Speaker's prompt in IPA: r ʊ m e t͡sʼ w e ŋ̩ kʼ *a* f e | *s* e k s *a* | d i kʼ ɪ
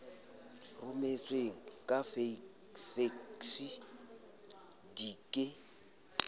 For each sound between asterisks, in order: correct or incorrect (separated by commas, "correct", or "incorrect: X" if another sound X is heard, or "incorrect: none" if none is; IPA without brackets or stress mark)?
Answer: correct, incorrect: f, incorrect: i